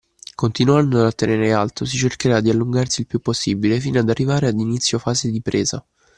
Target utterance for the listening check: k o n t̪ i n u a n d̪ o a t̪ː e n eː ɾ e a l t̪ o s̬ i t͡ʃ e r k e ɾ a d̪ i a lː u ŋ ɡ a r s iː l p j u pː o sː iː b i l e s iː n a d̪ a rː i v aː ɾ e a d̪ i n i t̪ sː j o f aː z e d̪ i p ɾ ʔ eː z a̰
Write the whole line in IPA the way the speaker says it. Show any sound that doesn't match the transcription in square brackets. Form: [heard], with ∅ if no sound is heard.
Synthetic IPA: k o n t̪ i n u a n d̪ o a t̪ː e n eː ɾ e a l t̪ o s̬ i t͡ʃ e r k e ɾ a d̪ i a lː u ŋ ɡ a r s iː l p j u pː o sː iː b i l e [f] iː n a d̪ a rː i v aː ɾ e a d̪ i n i t̪ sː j o f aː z e d̪ i p ɾ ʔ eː z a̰